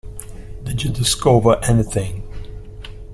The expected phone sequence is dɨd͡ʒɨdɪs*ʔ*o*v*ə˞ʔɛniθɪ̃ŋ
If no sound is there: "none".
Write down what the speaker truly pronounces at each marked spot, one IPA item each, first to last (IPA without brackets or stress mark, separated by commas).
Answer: k, v